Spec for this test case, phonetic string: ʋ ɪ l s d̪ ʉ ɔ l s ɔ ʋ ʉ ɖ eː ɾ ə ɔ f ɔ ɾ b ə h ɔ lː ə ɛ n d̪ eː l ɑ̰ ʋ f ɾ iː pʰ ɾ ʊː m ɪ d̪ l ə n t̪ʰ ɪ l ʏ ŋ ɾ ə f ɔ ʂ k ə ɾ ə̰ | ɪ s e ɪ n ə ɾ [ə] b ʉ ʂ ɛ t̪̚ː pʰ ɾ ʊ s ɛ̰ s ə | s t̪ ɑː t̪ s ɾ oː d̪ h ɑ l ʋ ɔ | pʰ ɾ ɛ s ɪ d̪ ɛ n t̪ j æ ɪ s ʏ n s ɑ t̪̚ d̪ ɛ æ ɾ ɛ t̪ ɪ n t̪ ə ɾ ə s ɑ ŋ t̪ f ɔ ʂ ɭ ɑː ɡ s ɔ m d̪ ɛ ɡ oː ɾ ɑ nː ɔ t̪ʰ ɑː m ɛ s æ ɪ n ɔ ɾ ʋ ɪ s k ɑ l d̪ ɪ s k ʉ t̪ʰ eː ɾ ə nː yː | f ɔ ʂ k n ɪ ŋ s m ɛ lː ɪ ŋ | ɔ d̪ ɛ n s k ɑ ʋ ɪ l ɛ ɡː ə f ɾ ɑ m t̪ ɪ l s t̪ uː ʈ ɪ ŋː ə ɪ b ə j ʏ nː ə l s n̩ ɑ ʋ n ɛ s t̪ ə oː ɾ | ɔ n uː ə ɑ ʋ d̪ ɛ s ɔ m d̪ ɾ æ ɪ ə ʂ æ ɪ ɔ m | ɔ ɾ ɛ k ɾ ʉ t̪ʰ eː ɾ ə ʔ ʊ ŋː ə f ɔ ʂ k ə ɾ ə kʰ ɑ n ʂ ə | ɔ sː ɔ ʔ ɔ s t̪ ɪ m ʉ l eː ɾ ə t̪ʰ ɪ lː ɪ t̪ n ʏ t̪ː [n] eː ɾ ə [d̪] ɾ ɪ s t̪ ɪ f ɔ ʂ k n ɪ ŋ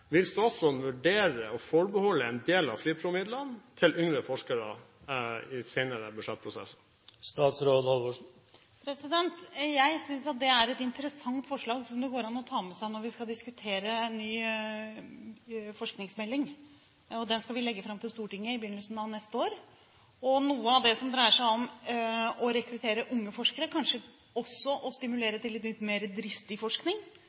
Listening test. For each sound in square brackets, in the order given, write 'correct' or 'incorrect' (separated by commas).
correct, incorrect, correct